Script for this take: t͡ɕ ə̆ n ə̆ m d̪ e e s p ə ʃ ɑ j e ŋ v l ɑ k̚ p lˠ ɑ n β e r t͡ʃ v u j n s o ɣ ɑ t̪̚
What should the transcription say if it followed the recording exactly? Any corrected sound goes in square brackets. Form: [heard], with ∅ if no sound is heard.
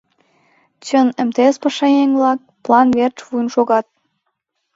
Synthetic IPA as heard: t͡ɕ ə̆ n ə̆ m [t̪] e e s p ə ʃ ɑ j e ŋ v l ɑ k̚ p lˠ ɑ n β e r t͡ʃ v u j n [ʃ] o ɣ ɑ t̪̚